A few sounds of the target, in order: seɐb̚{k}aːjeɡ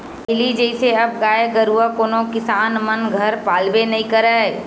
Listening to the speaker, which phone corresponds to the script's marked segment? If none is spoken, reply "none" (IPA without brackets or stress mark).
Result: ɡ